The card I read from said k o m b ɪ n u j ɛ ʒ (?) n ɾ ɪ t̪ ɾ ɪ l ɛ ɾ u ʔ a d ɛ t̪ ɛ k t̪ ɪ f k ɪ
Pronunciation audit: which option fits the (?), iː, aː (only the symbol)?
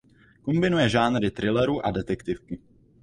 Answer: aː